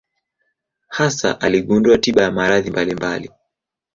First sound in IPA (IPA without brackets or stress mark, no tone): h